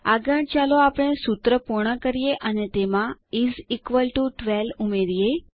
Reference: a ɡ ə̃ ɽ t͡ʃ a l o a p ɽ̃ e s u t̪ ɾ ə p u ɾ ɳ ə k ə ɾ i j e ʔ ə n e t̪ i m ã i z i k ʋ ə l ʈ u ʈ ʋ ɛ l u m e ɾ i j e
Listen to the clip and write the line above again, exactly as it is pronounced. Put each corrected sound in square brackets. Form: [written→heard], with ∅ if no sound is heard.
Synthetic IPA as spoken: a ɡ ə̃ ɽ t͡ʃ a l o a p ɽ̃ e s u t̪ ɾ ə p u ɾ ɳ ə k ə ɾ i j e ʔ ə n e t̪ [i→e] m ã i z i k ʋ ə l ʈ u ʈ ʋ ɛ l u m e ɾ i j e

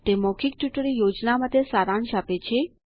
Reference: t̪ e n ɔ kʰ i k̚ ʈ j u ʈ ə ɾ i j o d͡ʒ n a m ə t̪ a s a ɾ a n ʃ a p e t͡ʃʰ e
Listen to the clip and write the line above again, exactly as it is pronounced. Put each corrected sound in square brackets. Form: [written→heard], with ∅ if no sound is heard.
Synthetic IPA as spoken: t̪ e [n→m] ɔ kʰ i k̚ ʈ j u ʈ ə ɾ i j o d͡ʒ n a m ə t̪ [a→e] s a ɾ a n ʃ a p e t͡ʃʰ e

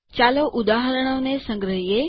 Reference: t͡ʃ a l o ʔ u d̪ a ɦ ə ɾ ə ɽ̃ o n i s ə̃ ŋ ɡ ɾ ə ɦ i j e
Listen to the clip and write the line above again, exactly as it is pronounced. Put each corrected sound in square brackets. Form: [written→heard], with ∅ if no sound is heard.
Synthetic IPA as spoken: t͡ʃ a l o ʔ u d̪ a ɦ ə ɾ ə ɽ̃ o n [i→e] s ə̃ ŋ ɡ ɾ ə ɦ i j e

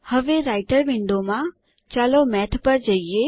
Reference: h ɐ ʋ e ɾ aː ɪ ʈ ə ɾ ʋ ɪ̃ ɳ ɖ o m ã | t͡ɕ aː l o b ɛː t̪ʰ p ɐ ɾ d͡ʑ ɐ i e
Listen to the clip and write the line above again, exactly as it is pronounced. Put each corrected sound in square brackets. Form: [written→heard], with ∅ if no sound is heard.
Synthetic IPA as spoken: h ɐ ʋ e ɾ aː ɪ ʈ ə ɾ ʋ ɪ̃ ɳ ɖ o m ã | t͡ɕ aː l o [b→m] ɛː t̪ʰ p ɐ ɾ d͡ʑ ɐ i e

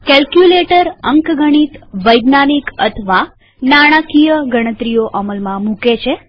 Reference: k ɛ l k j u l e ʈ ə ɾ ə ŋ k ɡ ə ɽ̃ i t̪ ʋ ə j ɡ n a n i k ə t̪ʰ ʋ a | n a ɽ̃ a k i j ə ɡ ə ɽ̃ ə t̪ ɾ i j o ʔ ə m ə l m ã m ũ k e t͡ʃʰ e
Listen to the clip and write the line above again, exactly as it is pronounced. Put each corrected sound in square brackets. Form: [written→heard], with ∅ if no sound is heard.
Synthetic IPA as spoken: k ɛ l k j u l e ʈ ə ɾ ə ŋ k ɡ ə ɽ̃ i t̪ ʋ ə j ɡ n a n i k ə t̪ʰ ʋ a | n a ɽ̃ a k i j ə ɡ ə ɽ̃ ə t̪ ɾ i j o ʔ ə m ə l m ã m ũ k e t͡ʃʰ e

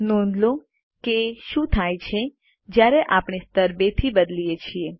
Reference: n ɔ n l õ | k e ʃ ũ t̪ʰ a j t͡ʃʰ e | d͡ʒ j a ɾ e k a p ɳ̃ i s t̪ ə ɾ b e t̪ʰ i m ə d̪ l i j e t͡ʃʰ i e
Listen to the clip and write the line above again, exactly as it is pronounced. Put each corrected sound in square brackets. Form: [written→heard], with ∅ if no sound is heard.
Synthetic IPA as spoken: n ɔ n l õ | k e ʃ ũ t̪ʰ a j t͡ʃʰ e | d͡ʒ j a ɾ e [k→ʔ] a p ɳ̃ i s t̪ ə ɾ b e t̪ʰ i [m→b] ə d̪ l i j e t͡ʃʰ i e

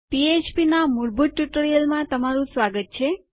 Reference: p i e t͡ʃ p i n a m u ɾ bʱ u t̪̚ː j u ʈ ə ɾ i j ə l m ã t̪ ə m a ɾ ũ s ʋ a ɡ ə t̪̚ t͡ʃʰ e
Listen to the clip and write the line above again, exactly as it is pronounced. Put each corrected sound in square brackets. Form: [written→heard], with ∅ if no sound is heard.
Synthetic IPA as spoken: p i e t͡ʃ p i n a m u ɾ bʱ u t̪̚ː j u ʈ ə ɾ i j ə l m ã t̪ ə m a ɾ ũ s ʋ a ɡ ə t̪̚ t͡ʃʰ e

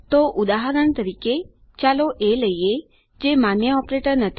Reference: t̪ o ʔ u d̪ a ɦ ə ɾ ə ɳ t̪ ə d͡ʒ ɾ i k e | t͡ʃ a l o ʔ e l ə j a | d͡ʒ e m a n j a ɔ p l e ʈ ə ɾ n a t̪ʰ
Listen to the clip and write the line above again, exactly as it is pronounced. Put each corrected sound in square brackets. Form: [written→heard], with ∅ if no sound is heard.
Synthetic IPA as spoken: t̪ o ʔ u d̪ a ɦ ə ɾ ə ɳ t̪ ə [d͡ʒ→∅] ɾ i k e | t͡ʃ a l o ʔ e l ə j [a→e] | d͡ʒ e m a n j [a→ə] ɔ p [l→ɾ] e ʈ ə ɾ n [a→ə] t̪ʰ

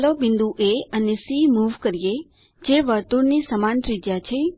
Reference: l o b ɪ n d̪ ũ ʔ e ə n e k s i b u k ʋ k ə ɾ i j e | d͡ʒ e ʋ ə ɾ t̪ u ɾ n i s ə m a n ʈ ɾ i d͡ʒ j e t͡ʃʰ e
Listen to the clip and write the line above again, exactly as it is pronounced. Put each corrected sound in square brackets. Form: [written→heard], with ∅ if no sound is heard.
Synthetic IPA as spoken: l o b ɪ n d̪ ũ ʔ e ə n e [k→∅] s i [b→m] u [k→∅] ʋ k ə ɾ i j e | d͡ʒ e ʋ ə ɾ t̪ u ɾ n i s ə m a n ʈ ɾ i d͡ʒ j [e→a] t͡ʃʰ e

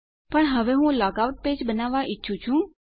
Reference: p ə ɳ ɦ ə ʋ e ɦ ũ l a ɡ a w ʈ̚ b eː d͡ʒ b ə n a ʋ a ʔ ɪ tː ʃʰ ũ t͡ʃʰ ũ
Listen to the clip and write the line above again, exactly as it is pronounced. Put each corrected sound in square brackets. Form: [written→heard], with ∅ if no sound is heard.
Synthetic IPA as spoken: p ə ɳ ɦ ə ʋ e ɦ ũ l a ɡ a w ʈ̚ [b→p] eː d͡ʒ b ə n a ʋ a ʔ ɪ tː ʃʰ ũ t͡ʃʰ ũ

